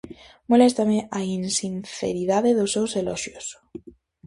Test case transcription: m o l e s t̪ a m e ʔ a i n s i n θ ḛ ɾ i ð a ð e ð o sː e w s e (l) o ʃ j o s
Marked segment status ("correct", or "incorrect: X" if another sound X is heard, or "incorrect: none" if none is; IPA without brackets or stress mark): correct